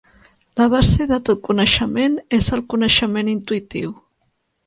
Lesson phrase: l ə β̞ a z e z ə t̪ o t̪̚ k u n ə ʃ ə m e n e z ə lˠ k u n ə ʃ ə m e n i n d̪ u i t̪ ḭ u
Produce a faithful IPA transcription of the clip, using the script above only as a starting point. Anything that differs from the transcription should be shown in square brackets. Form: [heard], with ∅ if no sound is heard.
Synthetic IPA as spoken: l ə β̞ a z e [ð] ə t̪ o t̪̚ k u n ə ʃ ə m e n e z ə lˠ k u n ə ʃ ə m e n i n [t̪] u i t̪ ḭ [w]